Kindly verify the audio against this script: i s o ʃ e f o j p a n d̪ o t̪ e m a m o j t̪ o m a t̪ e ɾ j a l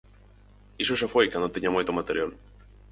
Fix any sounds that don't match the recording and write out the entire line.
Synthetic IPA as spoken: i s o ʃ a f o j k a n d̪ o t̪ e ɲ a m o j t̪ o m a t̪ e ɾ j a l